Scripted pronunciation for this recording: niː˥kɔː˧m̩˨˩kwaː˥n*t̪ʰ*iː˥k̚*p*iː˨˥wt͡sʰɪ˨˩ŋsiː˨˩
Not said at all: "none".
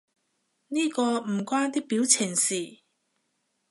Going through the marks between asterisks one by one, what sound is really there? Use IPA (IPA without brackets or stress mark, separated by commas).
t̪, p